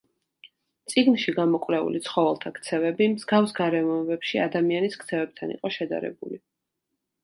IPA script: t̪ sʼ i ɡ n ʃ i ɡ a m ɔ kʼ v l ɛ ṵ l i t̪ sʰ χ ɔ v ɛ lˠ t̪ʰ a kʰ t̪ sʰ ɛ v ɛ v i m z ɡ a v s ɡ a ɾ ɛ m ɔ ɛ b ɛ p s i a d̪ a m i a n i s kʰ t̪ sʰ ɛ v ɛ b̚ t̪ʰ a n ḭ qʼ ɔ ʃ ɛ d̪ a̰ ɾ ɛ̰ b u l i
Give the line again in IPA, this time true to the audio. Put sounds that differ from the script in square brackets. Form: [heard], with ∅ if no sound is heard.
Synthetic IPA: t̪ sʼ i ɡ n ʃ i ɡ a m ɔ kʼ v l ɛ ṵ l i t̪ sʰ χ ɔ v ɛ lˠ t̪ʰ a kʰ t̪ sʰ ɛ v ɛ [b] i m z ɡ a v s ɡ a ɾ ɛ m ɔ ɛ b ɛ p [ʃ] i a d̪ a m i a n i s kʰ t̪ sʰ ɛ v ɛ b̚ t̪ʰ a n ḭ qʼ ɔ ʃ ɛ d̪ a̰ ɾ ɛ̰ b u l i